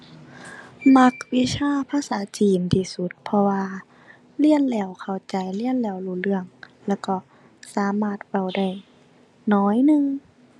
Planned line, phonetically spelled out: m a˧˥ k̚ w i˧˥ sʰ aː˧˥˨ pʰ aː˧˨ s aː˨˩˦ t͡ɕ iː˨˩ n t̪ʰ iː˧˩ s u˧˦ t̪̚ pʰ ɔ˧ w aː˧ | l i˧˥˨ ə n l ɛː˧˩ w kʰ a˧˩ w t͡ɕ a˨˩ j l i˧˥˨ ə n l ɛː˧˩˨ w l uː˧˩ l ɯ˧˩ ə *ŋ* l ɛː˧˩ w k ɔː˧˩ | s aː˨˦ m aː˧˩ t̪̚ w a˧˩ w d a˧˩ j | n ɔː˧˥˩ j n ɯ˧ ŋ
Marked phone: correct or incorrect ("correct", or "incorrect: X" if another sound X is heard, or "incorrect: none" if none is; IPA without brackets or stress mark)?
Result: correct